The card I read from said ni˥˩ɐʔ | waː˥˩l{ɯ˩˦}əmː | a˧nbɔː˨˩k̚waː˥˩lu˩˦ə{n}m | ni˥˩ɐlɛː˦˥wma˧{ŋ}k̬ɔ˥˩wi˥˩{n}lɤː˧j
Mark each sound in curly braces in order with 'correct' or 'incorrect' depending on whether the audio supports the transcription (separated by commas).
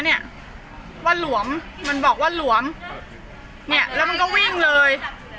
incorrect, incorrect, incorrect, incorrect